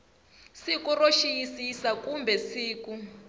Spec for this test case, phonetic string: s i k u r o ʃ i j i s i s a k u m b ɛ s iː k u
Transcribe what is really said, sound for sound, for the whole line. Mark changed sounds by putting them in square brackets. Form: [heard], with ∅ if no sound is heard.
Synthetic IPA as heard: s i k u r o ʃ i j i s i s a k u m b ɛ s iː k u